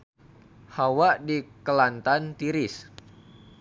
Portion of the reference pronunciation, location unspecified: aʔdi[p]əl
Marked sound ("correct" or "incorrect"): incorrect